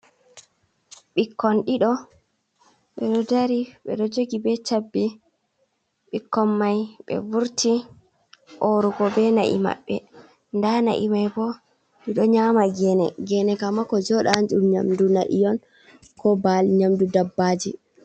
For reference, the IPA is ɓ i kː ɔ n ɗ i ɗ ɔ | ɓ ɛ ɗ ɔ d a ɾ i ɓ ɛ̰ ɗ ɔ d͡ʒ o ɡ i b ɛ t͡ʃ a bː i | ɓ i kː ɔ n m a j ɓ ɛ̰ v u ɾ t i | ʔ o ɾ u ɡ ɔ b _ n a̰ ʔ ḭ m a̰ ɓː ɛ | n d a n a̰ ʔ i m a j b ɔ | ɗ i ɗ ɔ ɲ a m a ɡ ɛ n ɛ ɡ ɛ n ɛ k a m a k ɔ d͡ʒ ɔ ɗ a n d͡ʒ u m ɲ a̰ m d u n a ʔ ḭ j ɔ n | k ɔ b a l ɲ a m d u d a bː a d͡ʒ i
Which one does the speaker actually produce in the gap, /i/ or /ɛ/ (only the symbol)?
ɛ